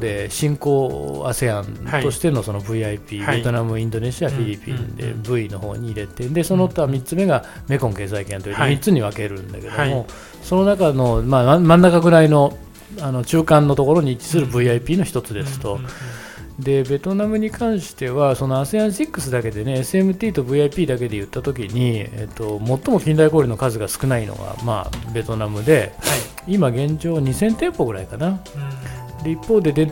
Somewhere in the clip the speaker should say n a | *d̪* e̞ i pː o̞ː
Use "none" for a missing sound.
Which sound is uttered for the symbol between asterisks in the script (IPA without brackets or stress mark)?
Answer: d̪